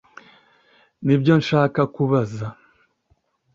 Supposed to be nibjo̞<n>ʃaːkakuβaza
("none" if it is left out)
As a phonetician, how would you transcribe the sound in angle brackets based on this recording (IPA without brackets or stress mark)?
n